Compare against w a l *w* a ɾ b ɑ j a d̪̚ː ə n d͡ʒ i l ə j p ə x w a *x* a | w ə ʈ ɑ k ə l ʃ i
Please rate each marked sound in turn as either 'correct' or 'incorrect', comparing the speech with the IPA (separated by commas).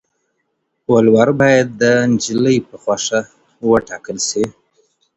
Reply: correct, incorrect